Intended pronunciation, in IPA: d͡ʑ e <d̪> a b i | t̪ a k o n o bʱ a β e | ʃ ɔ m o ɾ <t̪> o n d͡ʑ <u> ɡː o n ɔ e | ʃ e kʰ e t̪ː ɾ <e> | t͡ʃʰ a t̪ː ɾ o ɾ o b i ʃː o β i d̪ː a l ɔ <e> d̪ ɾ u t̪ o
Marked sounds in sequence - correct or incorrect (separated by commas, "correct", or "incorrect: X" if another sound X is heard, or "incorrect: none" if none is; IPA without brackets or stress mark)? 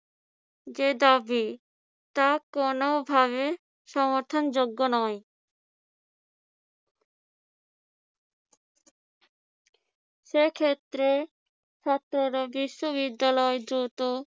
correct, incorrect: t̪ʰ, incorrect: o, correct, correct